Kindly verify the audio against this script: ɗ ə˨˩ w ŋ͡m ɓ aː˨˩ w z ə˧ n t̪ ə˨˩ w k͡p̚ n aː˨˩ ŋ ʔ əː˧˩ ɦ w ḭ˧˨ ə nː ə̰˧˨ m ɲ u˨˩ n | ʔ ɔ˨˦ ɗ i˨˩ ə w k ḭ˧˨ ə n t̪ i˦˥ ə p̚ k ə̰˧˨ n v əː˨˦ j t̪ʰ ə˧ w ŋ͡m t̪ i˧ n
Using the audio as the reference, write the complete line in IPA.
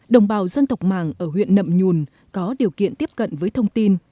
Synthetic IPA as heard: ɗ ə˨˩ w ŋ͡m ɓ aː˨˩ w z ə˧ n t̪ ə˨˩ w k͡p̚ m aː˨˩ ŋ ʔ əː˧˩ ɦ w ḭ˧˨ ə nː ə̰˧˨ m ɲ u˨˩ n | k ɔ˨˦ ɗ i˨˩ ə w k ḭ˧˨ ə n t̪ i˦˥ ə p̚ k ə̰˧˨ n v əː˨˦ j t̪ʰ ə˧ w ŋ͡m t̪ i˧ n